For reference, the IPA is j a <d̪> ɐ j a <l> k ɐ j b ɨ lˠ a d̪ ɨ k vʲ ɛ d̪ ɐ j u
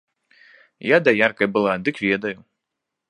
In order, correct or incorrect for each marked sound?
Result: correct, incorrect: r

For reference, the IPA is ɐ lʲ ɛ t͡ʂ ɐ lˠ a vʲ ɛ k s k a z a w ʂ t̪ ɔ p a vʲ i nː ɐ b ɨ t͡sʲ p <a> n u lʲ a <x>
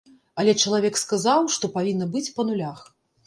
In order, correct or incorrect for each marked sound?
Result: incorrect: ɐ, correct

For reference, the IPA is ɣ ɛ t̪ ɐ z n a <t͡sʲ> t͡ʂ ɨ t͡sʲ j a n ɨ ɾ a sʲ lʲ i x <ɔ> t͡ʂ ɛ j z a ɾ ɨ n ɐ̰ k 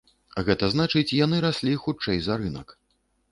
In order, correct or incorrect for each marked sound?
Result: incorrect: none, incorrect: u

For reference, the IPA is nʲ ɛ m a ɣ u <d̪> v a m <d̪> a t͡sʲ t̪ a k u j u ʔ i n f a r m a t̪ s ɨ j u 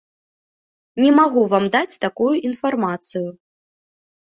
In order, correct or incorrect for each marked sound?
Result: incorrect: none, correct

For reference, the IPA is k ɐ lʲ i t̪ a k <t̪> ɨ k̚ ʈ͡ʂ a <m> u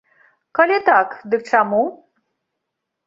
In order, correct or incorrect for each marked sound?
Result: incorrect: d̪, correct

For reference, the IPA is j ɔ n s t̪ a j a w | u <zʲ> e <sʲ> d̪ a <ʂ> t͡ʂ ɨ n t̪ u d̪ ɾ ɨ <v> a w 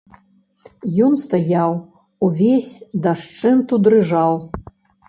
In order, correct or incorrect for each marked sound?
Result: incorrect: vʲ, correct, correct, incorrect: ʐ

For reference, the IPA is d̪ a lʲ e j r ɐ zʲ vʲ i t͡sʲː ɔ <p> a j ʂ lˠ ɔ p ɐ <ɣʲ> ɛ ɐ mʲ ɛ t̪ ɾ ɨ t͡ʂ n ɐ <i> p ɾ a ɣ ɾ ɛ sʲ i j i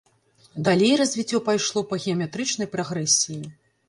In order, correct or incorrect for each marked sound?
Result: correct, correct, incorrect: j

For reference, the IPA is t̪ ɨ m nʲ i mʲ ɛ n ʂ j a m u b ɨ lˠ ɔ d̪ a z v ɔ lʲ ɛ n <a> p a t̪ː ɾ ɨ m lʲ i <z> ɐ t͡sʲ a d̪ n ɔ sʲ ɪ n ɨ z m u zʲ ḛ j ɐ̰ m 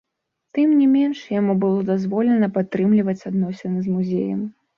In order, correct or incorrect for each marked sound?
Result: incorrect: ɐ, incorrect: v

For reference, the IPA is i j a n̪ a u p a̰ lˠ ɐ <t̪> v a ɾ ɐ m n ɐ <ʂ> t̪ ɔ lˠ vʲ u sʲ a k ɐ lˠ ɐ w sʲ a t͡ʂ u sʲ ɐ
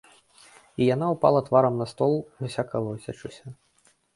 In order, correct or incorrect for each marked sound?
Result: correct, incorrect: s

